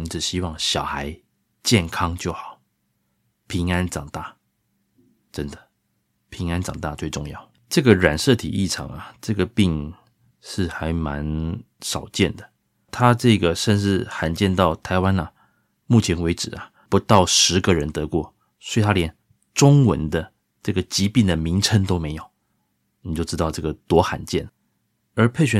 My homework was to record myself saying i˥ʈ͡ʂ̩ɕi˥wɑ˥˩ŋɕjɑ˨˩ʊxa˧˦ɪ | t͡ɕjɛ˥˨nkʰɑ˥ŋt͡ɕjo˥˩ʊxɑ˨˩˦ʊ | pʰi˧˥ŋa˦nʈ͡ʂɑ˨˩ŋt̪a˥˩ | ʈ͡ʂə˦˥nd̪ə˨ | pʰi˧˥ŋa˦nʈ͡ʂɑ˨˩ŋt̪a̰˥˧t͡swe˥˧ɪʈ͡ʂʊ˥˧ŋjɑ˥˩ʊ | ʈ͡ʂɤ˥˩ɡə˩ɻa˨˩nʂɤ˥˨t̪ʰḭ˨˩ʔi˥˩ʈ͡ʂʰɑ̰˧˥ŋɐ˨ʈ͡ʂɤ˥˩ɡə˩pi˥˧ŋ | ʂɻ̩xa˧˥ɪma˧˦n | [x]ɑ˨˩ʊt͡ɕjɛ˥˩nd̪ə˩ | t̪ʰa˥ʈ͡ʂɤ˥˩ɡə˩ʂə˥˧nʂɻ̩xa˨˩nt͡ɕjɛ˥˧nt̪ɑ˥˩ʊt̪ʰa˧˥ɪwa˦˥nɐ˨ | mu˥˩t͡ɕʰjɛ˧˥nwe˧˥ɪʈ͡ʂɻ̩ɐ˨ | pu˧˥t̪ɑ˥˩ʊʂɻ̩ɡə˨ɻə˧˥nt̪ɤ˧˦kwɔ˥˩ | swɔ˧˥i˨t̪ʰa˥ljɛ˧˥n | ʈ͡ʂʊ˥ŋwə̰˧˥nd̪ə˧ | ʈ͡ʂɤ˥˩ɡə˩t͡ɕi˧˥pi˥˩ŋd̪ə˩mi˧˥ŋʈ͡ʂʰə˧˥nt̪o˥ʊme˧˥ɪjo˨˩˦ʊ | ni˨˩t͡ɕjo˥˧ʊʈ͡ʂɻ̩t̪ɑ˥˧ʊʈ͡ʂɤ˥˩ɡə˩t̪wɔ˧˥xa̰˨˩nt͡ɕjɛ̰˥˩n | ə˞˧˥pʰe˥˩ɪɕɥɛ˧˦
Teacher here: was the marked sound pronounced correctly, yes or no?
no